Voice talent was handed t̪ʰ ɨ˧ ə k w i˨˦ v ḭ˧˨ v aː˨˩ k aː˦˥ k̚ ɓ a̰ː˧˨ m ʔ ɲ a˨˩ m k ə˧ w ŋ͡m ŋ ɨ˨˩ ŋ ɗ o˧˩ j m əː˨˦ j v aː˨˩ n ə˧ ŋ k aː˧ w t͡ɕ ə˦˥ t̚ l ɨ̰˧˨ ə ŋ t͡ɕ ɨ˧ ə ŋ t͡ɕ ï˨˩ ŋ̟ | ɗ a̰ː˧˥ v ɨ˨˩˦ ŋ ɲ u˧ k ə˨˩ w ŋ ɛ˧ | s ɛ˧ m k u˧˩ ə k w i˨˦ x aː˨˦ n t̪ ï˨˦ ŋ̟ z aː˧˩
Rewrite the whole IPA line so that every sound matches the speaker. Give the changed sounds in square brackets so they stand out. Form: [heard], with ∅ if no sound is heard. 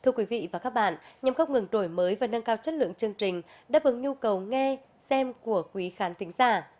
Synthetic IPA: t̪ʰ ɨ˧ ə k w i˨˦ v ḭ˧˨ v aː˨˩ k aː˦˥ k̚ ɓ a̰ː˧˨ [n] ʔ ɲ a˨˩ m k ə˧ w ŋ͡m ŋ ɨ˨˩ ŋ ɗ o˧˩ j m əː˨˦ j v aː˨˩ n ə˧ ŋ k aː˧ w t͡ɕ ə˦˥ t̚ l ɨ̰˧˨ ə ŋ t͡ɕ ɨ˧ ə ŋ t͡ɕ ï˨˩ ŋ̟ | ɗ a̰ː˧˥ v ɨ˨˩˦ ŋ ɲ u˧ k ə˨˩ w ŋ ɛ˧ | s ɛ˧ m k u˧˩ ə k w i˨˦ x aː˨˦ n t̪ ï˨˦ ŋ̟ z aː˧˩